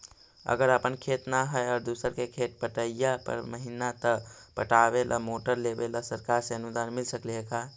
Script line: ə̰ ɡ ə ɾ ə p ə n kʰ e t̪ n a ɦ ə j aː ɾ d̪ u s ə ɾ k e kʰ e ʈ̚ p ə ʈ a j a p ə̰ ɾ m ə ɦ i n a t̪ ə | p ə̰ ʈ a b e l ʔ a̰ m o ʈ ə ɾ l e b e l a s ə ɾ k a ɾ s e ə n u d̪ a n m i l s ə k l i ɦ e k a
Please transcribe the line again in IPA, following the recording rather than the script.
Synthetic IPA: ə̰ ɡ ə ɾ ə p ə n kʰ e t̪ n a ɦ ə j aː ɾ d̪ u s ə ɾ k e kʰ e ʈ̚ p ə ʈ ə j a p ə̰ ɾ m ə ɦ i n a t̪ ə | p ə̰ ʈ a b e l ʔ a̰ m o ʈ ə ɾ l e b e l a s ə ɾ k a ɾ s e ə n u d̪ a n m i l s ə k l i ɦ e k a